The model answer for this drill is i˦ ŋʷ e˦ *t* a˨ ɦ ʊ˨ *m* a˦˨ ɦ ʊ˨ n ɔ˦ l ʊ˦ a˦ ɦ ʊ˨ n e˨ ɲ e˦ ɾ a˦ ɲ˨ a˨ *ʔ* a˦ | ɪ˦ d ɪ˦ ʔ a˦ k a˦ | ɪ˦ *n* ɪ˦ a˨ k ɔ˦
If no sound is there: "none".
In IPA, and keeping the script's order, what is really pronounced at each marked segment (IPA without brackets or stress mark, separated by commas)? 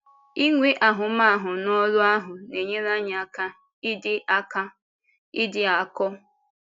ʔ, m, k, d